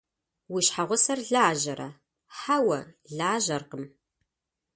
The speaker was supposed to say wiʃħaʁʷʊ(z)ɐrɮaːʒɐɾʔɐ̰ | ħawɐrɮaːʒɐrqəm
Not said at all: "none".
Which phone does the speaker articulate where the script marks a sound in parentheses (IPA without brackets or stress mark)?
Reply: s